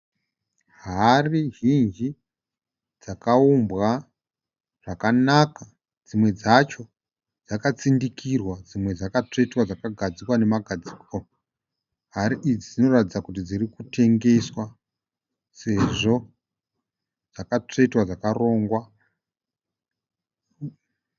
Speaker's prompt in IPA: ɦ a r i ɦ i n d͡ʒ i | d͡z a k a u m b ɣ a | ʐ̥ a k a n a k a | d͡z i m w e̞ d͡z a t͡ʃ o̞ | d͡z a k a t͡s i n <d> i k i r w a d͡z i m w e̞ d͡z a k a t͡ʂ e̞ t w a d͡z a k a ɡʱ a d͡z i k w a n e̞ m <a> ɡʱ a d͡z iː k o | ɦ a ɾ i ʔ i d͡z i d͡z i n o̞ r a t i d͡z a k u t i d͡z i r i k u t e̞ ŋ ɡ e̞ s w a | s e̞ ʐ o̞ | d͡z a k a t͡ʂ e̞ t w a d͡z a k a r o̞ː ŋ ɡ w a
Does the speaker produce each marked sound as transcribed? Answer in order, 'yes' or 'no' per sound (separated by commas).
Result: yes, yes